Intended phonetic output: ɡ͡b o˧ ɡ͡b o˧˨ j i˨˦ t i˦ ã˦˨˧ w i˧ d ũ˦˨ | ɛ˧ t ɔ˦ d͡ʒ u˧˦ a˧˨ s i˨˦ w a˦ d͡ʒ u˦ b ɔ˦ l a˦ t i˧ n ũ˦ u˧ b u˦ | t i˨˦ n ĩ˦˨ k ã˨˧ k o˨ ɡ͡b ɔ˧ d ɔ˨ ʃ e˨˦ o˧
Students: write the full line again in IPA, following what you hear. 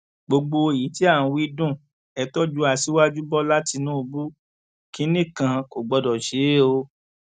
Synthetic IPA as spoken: ɡ͡b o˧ ɡ͡b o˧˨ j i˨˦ t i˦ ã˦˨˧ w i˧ d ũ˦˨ | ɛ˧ t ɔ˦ d͡ʒ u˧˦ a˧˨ s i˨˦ w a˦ d͡ʒ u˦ b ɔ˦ l a˦ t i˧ n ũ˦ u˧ b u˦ | k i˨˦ n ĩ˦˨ k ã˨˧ k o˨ ɡ͡b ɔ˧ d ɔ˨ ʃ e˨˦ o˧